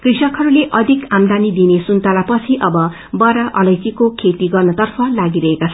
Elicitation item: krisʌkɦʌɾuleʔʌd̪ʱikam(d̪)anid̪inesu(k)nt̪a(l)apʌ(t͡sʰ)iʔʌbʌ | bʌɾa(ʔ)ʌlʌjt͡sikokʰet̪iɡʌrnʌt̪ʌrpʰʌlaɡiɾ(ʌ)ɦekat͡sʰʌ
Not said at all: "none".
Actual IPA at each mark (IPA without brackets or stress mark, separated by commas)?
d̪, none, l, t͡sʰ, ʔ, ʌ